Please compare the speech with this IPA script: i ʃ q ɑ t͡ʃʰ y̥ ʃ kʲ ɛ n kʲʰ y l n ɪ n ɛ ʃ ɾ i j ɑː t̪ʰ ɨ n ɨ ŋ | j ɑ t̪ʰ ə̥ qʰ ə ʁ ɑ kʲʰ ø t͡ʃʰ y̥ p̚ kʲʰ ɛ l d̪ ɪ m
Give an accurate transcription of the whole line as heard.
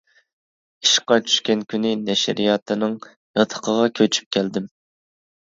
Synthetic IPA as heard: i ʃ q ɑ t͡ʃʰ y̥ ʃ kʲ ɛ n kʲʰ y n ɪ n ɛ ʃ ɾ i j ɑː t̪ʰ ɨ n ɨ ŋ | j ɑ t̪ʰ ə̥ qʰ ə ʁ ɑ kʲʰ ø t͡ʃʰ y̥ p̚ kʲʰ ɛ l d̪ ɪ m